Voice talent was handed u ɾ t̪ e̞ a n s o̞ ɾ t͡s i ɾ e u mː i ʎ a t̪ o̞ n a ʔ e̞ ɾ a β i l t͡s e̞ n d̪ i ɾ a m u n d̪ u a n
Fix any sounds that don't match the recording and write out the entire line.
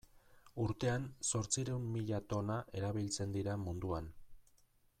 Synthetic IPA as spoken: u ɾ t̪ e̞ a n s o̞ ɾ t͡s i ɾ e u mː i ʎ a t̪ o̞ n a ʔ e̞ ɾ a β i l t͡s e̞ n d̪ i ɾ a m u n d̪ u a n